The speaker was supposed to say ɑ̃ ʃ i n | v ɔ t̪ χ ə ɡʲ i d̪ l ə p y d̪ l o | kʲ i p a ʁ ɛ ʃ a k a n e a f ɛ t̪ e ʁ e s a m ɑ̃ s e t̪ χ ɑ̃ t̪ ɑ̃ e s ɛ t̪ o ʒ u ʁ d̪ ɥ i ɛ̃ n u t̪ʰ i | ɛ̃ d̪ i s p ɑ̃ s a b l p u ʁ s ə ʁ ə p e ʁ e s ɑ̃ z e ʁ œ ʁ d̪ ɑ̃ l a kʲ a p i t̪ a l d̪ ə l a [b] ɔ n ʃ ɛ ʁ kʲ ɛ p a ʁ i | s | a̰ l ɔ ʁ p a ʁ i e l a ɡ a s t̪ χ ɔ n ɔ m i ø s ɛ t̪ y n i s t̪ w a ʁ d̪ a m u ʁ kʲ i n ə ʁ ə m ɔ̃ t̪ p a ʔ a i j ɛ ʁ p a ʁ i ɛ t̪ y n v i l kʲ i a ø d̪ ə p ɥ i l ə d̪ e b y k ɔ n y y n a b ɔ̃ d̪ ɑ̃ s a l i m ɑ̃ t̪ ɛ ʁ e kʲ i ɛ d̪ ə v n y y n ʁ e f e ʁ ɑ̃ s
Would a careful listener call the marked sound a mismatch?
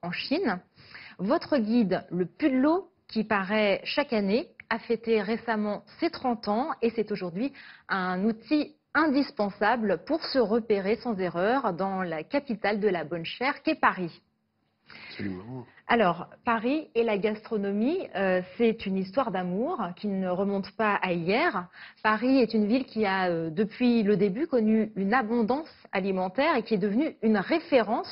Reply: no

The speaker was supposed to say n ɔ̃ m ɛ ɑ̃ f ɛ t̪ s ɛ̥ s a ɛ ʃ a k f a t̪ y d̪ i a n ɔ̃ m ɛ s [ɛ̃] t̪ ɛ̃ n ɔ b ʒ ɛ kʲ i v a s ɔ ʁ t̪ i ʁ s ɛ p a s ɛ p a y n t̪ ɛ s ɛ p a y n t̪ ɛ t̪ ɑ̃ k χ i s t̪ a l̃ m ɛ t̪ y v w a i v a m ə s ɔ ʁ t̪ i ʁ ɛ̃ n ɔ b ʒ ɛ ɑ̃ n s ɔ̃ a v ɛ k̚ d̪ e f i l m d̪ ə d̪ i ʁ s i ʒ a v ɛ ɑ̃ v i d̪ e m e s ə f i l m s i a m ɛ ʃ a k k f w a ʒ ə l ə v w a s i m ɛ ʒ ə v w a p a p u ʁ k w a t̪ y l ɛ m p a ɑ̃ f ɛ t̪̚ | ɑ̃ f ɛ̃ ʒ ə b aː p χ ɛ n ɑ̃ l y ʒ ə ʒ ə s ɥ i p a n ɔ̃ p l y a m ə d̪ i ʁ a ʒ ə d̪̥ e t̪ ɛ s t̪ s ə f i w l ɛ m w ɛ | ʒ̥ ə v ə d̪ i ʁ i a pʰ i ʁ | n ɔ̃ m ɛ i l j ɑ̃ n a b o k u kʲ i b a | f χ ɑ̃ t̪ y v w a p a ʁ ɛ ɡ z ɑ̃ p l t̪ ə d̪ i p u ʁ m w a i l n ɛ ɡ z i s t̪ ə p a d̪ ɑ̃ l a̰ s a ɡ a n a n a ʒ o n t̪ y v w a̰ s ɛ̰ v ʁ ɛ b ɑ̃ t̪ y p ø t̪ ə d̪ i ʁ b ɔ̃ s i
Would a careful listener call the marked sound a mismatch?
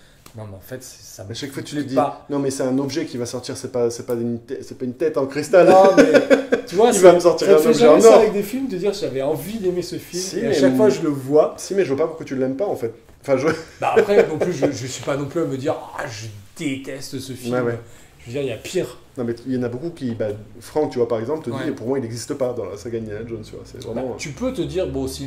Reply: yes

